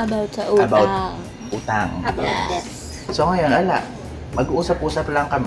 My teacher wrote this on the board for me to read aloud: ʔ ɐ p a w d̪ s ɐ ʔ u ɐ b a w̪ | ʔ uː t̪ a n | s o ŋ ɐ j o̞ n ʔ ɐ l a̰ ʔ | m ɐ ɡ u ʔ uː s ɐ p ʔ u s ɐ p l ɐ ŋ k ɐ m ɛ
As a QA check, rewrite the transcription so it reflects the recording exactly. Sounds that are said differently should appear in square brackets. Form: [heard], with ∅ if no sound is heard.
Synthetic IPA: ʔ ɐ [b] a w [t̪] s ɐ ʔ u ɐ b a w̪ | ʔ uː t̪ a [ŋ] | s o ŋ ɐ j o̞ n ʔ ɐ l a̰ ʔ | m ɐ ɡ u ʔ uː s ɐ p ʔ [uː] s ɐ p l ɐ ŋ k ɐ m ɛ